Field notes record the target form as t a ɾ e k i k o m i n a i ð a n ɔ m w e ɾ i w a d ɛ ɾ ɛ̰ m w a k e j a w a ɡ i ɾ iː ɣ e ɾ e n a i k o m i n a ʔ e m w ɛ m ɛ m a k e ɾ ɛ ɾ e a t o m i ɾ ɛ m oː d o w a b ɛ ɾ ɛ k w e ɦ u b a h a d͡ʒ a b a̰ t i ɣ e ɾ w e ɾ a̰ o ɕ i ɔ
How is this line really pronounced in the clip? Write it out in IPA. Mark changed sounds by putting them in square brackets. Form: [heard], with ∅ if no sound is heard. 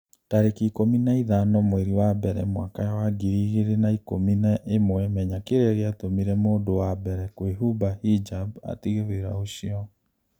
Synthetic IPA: t a ɾ e k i k o m i n a i ð a n ɔ m w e ɾ i w a [b] ɛ ɾ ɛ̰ m w a k [a] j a w a ɡ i ɾ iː ɣ e ɾ e n a i k o m i n a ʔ e m w ɛ m ɛ [ɲ] a k e ɾ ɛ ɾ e a t o m i ɾ ɛ m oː d o w a b ɛ ɾ ɛ k w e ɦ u b a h [i] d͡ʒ a b a̰ t i ɣ e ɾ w e ɾ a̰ o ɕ i ɔ